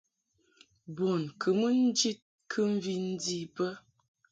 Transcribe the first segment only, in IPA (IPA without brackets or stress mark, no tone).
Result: b